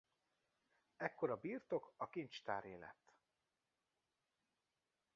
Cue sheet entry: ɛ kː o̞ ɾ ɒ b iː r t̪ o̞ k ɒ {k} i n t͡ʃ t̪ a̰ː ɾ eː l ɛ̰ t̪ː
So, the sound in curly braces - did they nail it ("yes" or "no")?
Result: yes